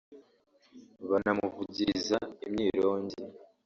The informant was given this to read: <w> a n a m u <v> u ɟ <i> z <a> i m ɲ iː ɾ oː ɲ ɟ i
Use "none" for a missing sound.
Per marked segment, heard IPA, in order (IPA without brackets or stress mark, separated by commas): β, v, i, a